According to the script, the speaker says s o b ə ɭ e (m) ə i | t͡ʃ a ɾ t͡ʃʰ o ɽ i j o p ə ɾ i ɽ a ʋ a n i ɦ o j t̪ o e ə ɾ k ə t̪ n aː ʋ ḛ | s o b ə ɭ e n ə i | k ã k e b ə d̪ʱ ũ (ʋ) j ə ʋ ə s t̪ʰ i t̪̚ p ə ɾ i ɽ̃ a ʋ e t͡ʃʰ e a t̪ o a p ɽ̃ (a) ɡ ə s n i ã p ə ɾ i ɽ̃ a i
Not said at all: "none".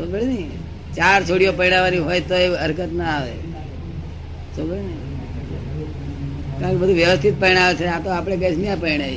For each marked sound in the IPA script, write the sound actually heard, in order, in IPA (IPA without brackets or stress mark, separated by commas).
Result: n, ʋ, e